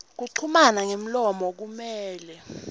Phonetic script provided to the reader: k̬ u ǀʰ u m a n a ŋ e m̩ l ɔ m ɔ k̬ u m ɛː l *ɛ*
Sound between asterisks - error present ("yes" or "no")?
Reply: no